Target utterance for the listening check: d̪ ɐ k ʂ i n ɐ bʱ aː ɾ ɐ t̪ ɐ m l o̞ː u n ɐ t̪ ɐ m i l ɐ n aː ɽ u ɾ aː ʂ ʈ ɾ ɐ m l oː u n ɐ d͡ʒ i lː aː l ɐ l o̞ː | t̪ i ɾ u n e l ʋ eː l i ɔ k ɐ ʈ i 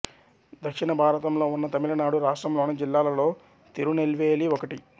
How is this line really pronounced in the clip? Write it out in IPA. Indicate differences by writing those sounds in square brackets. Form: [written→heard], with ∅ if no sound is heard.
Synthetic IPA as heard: d̪ ɐ k ʂ i n ɐ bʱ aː ɾ ɐ t̪ ɐ m l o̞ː u [n→nː] ɐ t̪ ɐ m i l ɐ n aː ɽ u ɾ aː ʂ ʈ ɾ ɐ m l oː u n ɐ d͡ʒ i lː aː l ɐ l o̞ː | t̪ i ɾ u n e l ʋ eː l i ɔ k ɐ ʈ i